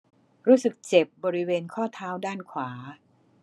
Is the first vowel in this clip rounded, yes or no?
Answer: yes